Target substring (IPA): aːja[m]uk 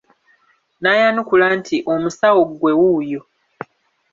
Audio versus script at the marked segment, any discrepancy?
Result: yes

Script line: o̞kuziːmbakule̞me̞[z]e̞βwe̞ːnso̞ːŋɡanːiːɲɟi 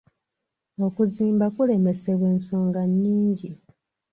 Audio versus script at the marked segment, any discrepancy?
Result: yes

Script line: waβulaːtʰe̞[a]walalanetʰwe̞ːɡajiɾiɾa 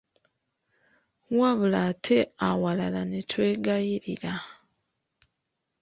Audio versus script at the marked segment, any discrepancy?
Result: no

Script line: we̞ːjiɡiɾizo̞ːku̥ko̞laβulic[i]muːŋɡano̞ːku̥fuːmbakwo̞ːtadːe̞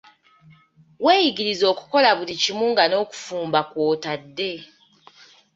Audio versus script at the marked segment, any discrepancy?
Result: no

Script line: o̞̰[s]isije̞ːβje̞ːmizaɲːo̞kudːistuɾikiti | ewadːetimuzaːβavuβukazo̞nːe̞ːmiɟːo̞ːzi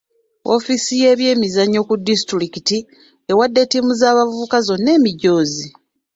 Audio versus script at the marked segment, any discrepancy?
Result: yes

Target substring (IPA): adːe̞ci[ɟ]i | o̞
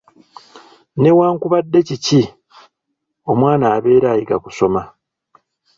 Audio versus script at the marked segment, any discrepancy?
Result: yes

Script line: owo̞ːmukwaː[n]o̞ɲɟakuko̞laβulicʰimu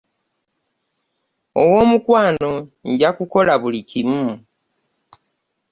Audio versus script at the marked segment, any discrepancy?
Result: no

